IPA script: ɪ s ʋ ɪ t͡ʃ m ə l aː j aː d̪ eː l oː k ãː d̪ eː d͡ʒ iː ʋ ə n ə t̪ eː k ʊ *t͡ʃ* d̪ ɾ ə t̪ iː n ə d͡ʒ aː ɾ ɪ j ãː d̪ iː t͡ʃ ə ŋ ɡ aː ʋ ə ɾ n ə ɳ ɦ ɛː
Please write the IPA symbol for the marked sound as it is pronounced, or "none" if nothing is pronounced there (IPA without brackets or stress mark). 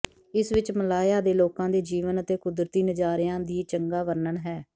none